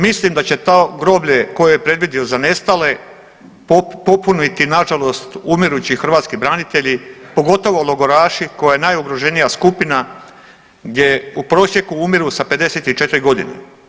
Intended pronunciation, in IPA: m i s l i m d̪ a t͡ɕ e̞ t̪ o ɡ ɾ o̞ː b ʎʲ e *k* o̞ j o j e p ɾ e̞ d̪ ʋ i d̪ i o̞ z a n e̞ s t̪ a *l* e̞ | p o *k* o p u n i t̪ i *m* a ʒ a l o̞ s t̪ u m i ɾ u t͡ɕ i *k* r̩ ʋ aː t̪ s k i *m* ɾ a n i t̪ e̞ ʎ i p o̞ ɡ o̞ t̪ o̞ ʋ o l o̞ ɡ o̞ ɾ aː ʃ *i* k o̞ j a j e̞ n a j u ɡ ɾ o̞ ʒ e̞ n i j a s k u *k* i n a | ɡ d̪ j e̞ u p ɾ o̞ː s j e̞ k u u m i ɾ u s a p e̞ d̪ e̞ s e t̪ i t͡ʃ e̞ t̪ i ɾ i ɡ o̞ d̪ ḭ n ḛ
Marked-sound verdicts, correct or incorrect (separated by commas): correct, correct, incorrect, incorrect, incorrect, incorrect, correct, incorrect